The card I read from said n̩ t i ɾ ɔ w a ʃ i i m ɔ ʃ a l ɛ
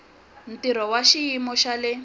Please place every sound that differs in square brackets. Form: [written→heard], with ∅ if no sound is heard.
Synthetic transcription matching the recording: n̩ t i ɾ ɔ w a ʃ i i m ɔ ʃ a l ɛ